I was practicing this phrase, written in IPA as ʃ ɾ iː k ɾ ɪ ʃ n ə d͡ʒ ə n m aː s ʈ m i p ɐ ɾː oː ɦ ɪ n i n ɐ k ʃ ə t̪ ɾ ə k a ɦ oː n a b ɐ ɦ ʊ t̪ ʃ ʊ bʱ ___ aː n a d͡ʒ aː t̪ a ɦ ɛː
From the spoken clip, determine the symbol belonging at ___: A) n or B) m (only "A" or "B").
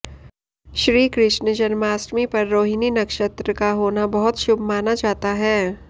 B